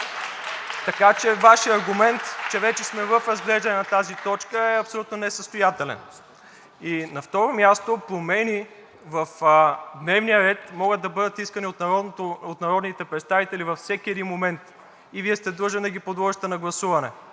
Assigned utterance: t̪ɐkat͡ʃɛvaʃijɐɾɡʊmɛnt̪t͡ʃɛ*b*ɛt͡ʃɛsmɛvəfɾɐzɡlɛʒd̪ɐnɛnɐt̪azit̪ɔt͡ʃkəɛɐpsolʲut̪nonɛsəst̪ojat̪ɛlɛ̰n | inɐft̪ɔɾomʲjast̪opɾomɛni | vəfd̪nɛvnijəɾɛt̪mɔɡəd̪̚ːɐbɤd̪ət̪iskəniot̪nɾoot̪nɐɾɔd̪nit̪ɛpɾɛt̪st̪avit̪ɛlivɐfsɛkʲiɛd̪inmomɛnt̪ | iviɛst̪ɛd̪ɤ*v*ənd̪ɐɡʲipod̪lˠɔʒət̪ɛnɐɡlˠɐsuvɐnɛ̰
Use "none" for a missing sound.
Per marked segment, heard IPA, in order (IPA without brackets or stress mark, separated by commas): v, ʒ